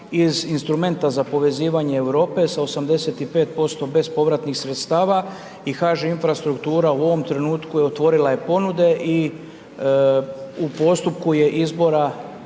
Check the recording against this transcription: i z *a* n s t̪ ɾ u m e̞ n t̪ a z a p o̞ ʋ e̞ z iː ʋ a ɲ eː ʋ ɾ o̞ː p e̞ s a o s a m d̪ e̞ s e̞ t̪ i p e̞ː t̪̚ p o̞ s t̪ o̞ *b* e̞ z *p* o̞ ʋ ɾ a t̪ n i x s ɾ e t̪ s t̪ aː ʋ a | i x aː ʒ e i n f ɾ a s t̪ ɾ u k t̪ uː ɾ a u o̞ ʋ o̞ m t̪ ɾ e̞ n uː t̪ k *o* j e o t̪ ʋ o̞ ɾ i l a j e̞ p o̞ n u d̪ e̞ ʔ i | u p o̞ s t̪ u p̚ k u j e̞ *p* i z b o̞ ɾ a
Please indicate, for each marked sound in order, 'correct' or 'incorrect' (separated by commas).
incorrect, correct, correct, incorrect, incorrect